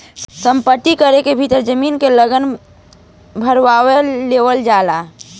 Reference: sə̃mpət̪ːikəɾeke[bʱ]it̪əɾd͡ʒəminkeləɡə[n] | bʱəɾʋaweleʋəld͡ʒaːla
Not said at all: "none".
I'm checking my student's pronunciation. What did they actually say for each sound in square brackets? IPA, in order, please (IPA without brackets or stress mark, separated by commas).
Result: bʱ, n